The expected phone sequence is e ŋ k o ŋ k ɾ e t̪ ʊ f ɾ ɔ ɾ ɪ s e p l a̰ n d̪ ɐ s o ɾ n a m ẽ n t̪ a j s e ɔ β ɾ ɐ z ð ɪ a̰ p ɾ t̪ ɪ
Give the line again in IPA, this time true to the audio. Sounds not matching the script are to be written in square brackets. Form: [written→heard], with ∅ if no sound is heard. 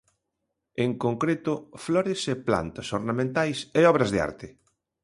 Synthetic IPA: e ŋ k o ŋ k ɾ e t̪ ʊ f [ɾ→l] ɔ ɾ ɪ s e p l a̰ n [d̪→t̪] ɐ s o ɾ n a m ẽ n t̪ a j s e ɔ β ɾ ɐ z ð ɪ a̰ [p→∅] ɾ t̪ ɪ